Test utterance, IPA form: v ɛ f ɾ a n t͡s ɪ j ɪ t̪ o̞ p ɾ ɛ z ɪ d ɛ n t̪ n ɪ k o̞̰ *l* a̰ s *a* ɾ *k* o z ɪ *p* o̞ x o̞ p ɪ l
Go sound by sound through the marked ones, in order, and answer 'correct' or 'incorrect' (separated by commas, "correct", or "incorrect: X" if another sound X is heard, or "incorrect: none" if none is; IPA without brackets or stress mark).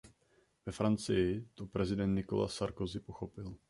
correct, correct, correct, correct